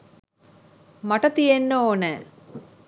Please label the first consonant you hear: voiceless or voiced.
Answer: voiced